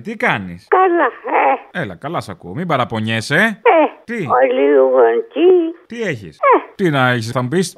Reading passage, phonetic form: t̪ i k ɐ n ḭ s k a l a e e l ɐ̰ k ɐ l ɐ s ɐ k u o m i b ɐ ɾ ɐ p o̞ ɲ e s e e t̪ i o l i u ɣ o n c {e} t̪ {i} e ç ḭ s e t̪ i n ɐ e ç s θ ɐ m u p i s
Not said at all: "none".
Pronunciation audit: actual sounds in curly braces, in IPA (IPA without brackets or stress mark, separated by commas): i, i